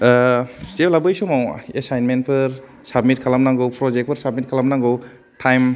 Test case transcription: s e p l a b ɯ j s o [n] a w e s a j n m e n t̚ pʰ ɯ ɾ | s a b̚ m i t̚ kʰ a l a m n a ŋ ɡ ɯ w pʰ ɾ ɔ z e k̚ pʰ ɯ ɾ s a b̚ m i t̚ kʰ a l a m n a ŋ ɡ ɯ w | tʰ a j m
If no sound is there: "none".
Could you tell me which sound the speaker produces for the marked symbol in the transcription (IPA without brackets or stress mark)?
m